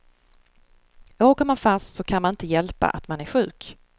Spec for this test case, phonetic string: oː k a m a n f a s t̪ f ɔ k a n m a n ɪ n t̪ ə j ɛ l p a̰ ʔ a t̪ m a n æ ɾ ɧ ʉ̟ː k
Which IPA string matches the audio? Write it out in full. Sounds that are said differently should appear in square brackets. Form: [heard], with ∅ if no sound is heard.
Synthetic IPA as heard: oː k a m a n f a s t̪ [s] ɔ [kʰ] a n m a n ɪ n t̪ ə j ɛ l p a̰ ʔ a t̪ m a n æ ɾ ɧ ʉ̟ː k